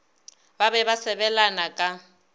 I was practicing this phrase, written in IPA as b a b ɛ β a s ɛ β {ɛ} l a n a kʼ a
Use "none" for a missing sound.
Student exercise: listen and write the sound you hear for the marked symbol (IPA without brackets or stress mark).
ɛ